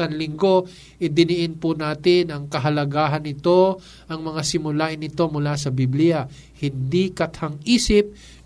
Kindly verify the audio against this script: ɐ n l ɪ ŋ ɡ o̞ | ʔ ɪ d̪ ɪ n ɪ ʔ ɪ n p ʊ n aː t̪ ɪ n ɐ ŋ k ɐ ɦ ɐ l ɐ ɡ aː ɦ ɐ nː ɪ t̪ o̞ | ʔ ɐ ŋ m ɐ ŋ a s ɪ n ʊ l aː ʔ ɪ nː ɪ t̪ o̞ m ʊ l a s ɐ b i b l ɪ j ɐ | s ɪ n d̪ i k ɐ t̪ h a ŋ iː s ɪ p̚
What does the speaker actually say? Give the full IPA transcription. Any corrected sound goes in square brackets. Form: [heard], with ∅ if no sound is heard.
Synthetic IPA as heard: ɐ n l ɪ ŋ ɡ o̞ | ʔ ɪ d̪ ɪ n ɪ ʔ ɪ n p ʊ n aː t̪ ɪ n ɐ ŋ k ɐ ɦ ɐ l ɐ ɡ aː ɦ ɐ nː ɪ t̪ o̞ | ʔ ɐ ŋ m ɐ ŋ a s ɪ [m] ʊ l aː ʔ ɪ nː ɪ t̪ o̞ m ʊ l a s ɐ b i b l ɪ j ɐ | [h] ɪ n d̪ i k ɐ t̪ h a ŋ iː s ɪ p̚